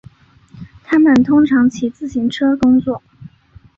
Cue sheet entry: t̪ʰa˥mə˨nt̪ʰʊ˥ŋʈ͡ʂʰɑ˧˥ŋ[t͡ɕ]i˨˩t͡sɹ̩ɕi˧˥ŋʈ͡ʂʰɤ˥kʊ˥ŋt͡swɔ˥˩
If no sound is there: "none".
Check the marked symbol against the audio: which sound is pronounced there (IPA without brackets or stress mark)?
t͡ɕʰ